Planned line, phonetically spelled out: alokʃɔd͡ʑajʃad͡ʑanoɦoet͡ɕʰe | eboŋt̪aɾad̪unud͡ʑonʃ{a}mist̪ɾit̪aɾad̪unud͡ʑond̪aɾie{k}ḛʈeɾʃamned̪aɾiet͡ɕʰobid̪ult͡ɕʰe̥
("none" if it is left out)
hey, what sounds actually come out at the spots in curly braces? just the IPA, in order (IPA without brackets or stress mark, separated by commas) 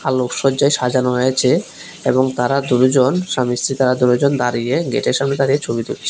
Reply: a, ɡ